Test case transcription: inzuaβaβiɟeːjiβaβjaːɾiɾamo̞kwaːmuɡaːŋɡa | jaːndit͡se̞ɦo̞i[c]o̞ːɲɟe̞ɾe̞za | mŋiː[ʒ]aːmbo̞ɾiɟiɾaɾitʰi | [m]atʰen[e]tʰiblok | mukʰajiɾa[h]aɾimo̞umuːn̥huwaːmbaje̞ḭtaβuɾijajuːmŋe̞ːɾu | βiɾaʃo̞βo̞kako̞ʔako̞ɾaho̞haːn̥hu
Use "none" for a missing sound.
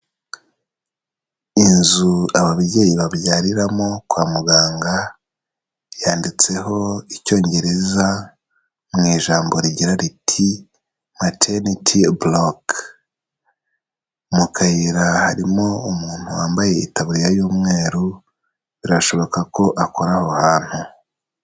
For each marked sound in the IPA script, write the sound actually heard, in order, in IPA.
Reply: c, ʒ, m, i, h

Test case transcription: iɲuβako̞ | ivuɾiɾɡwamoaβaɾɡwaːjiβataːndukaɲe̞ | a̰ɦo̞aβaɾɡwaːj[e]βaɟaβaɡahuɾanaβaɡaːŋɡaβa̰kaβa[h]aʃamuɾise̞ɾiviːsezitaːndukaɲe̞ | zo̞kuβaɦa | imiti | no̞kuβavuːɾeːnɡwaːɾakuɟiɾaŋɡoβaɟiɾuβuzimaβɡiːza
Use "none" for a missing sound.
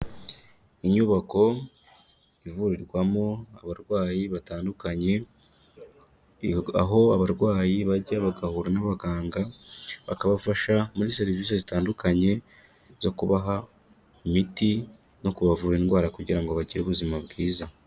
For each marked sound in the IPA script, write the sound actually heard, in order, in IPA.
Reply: i, f

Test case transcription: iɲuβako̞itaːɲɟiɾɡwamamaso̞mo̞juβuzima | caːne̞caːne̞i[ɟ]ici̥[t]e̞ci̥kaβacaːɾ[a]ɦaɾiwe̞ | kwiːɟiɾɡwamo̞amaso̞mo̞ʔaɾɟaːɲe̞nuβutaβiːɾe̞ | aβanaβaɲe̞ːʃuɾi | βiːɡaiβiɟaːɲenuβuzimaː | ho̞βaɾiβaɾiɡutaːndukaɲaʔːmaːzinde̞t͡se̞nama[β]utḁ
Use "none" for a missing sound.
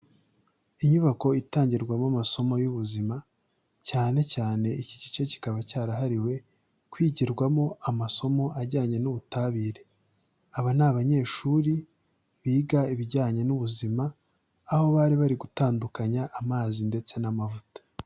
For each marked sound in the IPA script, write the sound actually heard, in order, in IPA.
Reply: c, t͡ʃ, a, v

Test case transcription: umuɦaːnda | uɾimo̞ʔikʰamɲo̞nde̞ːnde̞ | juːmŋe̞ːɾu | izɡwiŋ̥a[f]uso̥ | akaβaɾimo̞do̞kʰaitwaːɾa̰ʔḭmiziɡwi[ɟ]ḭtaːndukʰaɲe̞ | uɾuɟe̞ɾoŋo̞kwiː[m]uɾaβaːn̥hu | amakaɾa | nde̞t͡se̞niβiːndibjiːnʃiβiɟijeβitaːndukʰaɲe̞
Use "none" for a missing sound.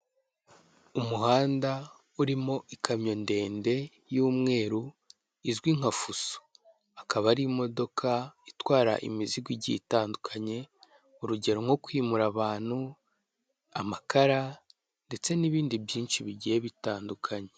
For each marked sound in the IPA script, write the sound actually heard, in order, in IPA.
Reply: f, ɟ, m

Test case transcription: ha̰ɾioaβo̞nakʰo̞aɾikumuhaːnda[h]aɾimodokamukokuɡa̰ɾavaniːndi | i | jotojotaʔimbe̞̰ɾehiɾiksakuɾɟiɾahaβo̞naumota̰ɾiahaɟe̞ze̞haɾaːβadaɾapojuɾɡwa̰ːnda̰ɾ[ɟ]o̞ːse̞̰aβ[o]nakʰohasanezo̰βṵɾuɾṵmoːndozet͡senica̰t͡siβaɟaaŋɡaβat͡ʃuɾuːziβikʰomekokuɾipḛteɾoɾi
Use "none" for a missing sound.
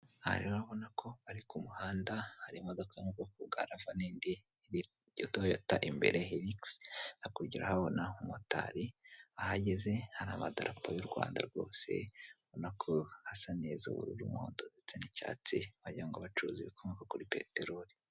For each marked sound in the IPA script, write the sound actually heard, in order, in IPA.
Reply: h, ɡ, o

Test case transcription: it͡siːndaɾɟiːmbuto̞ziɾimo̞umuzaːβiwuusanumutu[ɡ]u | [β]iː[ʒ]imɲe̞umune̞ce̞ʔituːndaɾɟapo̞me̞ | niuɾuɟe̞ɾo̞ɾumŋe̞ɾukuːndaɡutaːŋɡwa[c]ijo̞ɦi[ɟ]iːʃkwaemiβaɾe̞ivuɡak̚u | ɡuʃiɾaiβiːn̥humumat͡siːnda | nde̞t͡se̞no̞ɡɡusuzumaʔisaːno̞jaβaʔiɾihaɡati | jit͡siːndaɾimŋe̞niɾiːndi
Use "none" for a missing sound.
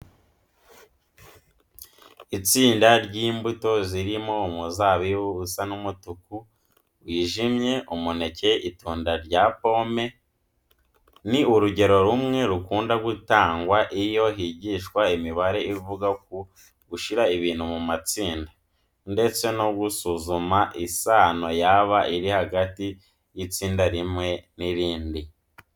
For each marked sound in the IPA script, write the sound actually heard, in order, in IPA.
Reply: k, w, ʒ, ʔ, ɟ

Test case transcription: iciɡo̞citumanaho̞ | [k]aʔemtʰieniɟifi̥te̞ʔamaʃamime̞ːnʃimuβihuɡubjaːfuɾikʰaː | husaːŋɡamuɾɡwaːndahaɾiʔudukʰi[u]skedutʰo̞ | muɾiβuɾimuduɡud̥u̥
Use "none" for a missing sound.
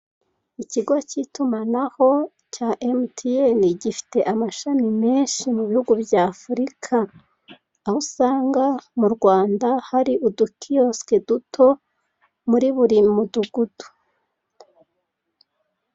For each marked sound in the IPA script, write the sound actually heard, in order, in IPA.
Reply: c, o

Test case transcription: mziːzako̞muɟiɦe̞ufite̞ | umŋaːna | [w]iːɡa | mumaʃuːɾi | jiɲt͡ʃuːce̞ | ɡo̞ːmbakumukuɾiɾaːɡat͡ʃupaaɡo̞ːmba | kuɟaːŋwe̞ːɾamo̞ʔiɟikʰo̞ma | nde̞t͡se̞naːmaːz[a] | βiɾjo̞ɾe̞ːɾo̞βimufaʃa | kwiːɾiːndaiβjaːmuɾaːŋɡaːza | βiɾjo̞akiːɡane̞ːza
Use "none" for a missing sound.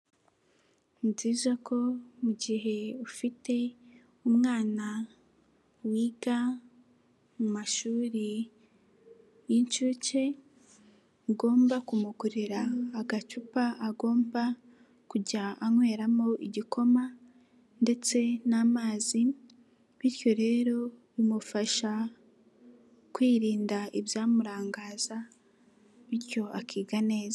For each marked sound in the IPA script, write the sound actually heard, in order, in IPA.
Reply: w, i

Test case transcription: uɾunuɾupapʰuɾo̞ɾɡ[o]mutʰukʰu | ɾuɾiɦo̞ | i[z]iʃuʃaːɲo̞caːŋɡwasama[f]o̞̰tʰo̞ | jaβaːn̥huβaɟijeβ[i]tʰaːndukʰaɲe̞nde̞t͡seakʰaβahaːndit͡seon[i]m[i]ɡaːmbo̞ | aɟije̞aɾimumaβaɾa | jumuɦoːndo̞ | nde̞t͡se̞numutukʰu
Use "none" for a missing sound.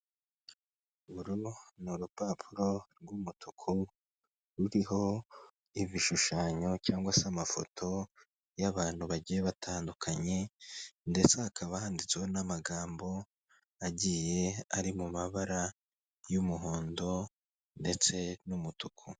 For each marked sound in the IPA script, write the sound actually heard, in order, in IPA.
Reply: u, v, f, a, a, a

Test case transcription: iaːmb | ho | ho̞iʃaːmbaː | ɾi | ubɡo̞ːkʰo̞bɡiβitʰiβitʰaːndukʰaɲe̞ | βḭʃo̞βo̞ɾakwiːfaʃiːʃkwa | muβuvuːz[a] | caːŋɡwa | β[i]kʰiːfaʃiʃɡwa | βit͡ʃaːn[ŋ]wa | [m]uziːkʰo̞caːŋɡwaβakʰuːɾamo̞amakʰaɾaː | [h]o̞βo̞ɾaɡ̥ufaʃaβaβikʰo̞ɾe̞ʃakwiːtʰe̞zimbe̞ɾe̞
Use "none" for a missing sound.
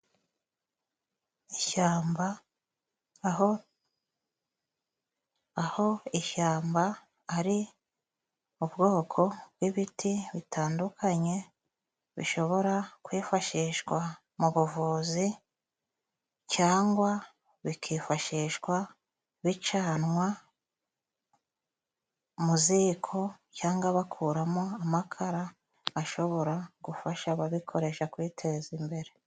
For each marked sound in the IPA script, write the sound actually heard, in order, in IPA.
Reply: i, i, ŋ, m, ʃ

